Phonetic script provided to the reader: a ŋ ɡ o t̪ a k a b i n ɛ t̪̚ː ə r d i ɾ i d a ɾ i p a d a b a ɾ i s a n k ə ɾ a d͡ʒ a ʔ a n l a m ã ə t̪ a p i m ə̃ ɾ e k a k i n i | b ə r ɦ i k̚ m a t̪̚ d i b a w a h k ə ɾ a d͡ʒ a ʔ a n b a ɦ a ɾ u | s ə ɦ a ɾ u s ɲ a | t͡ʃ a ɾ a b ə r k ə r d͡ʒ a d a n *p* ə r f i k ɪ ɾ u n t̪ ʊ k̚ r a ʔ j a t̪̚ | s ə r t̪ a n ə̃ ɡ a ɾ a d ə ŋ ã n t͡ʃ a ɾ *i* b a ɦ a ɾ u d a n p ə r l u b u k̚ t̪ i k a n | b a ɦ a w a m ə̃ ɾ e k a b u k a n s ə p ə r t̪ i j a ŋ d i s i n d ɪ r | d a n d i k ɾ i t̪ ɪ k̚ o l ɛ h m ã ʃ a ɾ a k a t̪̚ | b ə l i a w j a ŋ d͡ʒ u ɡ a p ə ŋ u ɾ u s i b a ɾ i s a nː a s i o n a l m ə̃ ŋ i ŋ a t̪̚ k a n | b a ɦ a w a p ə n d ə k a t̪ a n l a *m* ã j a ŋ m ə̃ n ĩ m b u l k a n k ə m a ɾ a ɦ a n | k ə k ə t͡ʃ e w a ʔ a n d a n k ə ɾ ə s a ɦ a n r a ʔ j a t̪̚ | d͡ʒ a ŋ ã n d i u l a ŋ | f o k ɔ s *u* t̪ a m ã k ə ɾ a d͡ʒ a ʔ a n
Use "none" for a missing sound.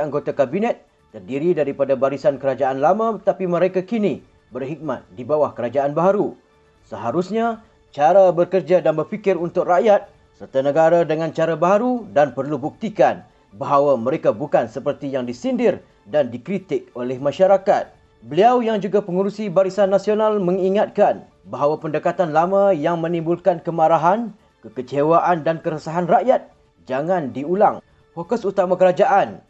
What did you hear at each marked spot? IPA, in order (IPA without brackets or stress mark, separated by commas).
b, a, m, u